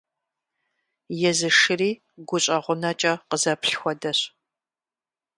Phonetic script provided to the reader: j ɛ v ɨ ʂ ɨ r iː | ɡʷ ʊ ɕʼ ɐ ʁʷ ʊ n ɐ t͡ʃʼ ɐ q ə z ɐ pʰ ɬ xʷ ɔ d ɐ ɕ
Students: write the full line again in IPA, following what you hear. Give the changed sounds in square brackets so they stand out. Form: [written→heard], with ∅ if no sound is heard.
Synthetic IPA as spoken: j ɛ [v→z] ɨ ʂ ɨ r iː | ɡʷ ʊ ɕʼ ɐ ʁʷ ʊ n ɐ t͡ʃʼ ɐ q ə z ɐ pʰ ɬ xʷ ɔ d ɐ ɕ